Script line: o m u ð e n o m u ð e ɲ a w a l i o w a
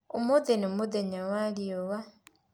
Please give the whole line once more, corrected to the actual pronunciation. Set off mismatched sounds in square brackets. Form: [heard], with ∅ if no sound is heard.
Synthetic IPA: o m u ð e n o m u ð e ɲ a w a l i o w a